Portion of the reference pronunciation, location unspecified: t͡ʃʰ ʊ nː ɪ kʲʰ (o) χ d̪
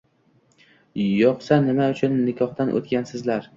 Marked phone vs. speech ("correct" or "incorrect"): incorrect